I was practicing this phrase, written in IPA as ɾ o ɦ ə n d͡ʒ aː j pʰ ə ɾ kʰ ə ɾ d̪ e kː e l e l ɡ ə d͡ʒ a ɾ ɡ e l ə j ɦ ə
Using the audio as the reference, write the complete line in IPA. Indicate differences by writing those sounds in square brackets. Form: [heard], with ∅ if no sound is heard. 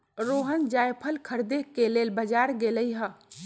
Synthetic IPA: ɾ o ɦ ə n d͡ʒ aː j pʰ ə [l] kʰ ə ɾ d̪ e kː e l e l [b] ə d͡ʒ a ɾ ɡ e l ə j ɦ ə

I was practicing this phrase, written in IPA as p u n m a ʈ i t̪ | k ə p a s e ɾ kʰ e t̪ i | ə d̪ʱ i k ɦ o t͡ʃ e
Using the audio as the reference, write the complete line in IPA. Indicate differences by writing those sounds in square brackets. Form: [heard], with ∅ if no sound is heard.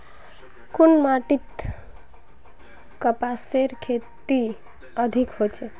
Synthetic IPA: [k] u n m a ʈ i t̪ | k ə p a s e ɾ kʰ e t̪ i | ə d̪ʱ i k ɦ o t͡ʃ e

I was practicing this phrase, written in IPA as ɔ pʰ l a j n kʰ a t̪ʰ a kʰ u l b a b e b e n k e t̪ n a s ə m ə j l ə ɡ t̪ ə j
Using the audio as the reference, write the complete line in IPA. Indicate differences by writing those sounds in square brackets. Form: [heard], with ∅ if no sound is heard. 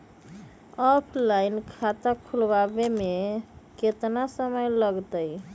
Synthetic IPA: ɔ pʰ l a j n kʰ a [t̪] a kʰ u l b a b e [m] e [∅] k e t̪ n a s ə m ə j l ə ɡ t̪ ə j

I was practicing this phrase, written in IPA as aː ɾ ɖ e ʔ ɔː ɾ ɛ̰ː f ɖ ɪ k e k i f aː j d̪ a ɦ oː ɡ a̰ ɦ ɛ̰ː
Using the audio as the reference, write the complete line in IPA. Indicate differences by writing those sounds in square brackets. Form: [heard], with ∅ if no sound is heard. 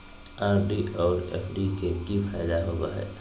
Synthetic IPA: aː ɾ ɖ [i] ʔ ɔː ɾ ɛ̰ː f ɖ [i] k e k i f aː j d̪ a ɦ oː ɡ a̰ ɦ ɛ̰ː

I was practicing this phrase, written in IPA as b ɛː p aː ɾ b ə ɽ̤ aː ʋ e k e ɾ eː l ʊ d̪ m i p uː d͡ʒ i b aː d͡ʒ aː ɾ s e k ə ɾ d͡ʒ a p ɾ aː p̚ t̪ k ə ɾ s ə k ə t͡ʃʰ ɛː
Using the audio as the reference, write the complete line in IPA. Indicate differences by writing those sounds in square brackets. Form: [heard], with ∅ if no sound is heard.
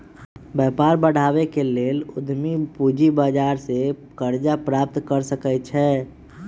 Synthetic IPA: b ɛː p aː ɾ b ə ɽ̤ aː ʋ e k e [l] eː l ʊ d̪ m i p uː d͡ʒ i b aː d͡ʒ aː ɾ s e k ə ɾ d͡ʒ a p ɾ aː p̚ t̪ k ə ɾ s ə k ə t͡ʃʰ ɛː

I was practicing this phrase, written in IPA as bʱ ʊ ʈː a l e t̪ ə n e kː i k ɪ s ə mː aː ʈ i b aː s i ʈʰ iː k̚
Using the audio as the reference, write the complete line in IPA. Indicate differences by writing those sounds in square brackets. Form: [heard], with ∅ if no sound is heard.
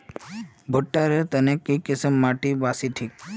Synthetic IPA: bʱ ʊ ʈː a [ɾ] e t̪ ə n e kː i k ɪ s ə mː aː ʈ i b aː s i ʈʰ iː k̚

